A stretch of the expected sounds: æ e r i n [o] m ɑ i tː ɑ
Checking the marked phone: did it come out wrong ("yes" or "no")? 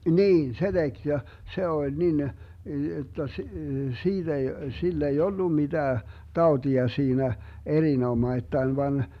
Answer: no